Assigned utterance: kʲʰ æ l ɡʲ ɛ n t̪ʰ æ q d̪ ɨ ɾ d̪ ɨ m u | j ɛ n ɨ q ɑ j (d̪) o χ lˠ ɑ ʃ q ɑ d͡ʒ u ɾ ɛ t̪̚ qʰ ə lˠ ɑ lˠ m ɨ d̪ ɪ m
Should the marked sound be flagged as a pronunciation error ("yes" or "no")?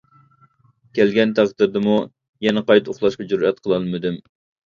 yes